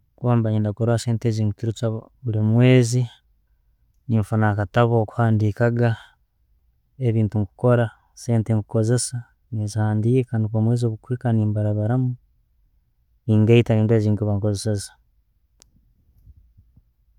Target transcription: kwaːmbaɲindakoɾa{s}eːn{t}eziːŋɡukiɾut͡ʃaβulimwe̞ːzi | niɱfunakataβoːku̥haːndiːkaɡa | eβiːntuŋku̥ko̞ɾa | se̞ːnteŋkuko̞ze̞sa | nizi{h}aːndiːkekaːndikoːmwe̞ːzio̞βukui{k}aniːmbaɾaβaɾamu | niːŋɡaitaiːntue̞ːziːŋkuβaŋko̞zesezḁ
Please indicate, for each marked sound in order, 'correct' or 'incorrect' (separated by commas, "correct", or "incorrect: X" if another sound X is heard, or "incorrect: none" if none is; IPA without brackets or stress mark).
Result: correct, correct, correct, correct